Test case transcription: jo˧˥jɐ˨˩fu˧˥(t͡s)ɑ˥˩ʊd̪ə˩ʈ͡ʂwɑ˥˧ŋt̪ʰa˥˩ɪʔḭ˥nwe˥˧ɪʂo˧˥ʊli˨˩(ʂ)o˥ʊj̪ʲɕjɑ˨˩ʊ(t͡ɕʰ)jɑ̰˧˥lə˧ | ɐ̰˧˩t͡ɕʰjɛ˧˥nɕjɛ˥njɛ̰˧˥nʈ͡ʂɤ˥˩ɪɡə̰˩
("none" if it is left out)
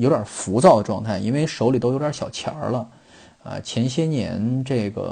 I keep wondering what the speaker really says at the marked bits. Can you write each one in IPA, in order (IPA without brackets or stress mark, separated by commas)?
t͡s, none, t͡ɕʰ